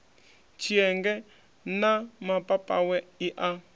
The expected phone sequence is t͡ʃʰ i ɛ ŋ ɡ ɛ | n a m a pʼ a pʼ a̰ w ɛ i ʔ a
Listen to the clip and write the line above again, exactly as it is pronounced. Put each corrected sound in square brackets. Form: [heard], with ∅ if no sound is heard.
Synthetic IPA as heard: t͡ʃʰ i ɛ ŋ ɡ ɛ | n a m a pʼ a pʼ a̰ w ɛ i ʔ a